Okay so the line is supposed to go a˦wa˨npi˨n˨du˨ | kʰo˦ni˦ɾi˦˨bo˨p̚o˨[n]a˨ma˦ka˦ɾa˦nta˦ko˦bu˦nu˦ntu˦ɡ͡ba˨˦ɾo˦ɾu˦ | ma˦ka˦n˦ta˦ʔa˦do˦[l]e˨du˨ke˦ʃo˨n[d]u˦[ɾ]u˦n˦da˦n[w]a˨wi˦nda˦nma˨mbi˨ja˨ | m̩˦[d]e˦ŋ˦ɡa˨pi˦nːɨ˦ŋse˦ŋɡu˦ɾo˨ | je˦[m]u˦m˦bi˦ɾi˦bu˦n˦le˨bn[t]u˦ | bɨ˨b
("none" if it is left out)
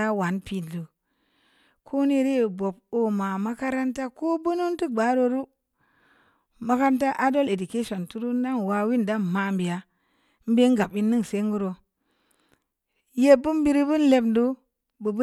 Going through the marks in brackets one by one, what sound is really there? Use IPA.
m, l, t, ɾ, w, b, b, d

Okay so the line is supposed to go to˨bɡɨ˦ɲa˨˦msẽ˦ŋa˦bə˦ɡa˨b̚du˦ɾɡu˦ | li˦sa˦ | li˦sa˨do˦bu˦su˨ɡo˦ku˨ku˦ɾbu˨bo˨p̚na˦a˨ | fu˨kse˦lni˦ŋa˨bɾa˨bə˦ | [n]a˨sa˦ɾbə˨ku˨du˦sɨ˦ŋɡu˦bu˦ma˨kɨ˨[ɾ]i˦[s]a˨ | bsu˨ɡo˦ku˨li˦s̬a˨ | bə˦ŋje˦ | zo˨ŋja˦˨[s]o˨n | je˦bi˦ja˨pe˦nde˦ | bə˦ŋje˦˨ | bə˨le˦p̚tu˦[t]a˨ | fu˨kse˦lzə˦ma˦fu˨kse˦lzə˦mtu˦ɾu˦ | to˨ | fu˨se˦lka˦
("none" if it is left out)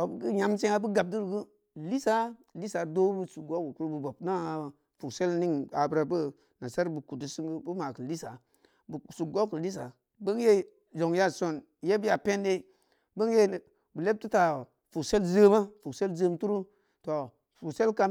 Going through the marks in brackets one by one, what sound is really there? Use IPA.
n, l, s, s, t

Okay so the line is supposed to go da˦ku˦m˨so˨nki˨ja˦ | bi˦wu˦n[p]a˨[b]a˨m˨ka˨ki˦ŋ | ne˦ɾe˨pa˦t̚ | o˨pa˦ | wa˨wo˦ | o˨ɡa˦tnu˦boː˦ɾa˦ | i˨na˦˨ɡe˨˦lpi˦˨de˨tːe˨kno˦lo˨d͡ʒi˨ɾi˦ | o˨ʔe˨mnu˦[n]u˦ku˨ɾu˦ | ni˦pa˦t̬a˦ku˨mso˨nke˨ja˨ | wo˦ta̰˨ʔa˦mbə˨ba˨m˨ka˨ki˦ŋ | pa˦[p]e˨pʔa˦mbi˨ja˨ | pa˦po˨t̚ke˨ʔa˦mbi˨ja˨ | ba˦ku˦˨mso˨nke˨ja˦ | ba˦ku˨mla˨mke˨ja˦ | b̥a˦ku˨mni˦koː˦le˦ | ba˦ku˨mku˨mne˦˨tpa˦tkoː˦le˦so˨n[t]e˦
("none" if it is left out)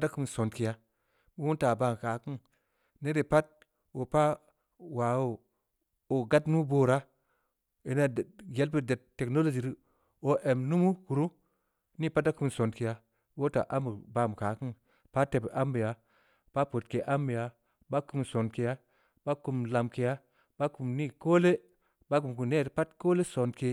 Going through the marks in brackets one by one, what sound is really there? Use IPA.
t, b, m, t, k

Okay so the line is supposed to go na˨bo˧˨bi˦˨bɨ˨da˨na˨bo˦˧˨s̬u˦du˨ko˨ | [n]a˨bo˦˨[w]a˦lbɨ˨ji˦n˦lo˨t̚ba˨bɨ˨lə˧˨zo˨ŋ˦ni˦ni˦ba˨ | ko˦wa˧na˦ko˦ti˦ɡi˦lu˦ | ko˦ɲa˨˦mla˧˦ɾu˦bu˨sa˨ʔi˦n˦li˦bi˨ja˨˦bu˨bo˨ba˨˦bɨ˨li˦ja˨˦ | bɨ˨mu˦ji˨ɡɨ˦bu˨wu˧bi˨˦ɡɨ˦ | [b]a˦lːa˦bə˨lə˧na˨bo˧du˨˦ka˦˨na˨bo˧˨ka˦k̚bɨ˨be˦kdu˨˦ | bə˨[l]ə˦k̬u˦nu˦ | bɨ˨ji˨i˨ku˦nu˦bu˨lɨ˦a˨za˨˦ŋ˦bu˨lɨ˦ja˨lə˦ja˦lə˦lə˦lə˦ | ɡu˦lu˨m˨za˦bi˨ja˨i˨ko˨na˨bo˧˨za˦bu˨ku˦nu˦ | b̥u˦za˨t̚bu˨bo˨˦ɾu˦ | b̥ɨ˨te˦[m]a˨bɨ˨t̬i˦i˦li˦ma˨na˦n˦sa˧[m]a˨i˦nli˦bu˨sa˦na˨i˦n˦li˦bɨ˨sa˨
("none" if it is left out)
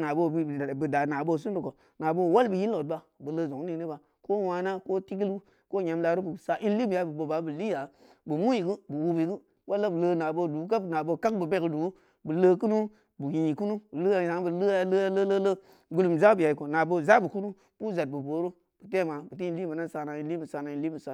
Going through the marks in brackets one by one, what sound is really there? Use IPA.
n, w, w, l, m, n

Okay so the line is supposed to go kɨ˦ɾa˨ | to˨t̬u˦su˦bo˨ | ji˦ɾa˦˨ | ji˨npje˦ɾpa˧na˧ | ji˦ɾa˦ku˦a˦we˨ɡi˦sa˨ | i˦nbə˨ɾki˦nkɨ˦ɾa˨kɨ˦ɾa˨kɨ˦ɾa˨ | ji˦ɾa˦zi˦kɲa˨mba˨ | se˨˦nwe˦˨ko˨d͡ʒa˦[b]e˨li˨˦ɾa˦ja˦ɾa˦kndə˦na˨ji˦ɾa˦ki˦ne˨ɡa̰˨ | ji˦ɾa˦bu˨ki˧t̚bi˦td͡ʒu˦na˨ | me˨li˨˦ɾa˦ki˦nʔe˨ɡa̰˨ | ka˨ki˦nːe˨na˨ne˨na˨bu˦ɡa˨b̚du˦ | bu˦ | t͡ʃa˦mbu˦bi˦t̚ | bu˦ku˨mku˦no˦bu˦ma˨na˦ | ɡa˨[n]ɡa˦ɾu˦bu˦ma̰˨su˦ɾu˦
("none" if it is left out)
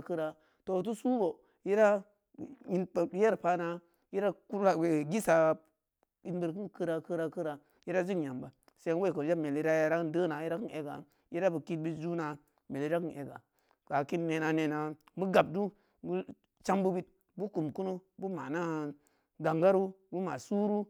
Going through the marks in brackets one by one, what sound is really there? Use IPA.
m, ŋ

